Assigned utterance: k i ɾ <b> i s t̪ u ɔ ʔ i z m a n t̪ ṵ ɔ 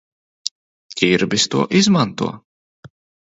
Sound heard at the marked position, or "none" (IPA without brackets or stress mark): b